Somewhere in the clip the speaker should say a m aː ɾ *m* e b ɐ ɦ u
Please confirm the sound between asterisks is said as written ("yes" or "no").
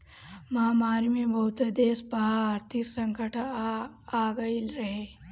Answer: yes